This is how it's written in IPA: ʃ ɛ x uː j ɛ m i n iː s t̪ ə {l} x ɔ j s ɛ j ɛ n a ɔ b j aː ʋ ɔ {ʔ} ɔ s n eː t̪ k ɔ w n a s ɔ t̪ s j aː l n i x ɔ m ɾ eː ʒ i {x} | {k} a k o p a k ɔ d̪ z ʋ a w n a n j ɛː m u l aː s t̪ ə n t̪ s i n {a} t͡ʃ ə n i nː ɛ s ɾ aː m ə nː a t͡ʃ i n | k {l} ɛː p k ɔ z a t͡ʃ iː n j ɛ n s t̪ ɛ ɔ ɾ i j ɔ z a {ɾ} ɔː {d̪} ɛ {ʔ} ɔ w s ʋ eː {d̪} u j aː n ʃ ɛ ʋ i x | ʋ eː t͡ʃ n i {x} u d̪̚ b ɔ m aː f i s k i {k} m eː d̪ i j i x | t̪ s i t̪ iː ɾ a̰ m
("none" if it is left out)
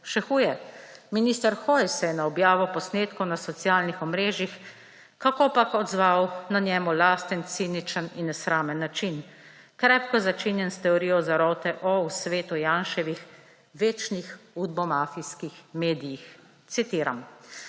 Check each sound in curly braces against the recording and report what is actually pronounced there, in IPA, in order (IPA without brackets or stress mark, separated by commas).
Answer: ɾ, p, x, k, i, ɾ, ɾ, t̪, ʔ, t̪, x, x